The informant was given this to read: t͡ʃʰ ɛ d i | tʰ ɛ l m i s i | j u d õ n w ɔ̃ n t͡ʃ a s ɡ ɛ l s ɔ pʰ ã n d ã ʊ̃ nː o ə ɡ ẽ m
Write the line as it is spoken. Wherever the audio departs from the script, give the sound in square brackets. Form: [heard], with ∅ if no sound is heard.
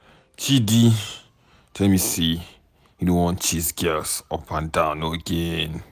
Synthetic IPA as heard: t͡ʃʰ [i] d i | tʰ ɛ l m i s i | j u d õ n w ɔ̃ n t͡ʃ [i] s ɡ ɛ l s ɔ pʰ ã n d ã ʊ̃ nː o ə ɡ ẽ [n]